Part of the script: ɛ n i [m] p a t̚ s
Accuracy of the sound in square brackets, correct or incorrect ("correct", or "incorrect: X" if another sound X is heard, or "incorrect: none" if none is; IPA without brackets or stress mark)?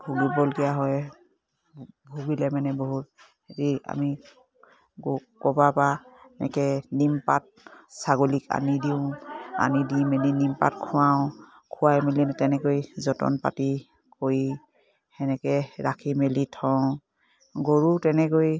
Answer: correct